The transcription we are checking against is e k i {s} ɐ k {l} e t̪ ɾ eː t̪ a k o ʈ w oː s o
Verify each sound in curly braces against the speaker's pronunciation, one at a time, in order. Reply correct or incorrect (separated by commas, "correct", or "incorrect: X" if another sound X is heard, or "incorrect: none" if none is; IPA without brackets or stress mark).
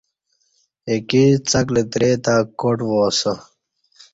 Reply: incorrect: t͡s, correct